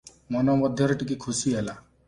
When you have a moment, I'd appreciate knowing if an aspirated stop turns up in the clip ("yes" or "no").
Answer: yes